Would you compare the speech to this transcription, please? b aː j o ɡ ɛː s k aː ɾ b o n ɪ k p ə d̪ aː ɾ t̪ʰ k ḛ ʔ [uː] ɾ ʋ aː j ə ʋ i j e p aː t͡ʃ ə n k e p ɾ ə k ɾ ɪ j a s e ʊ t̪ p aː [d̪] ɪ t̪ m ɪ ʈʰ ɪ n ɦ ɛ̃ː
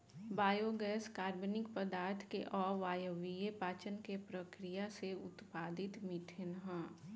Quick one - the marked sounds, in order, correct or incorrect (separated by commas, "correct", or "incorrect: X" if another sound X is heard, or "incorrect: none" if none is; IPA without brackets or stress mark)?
incorrect: ɔː, correct